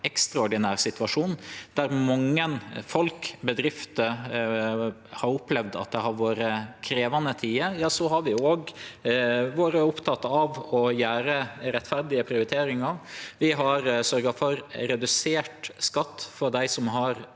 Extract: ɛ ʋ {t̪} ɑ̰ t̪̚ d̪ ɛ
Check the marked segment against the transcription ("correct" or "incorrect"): incorrect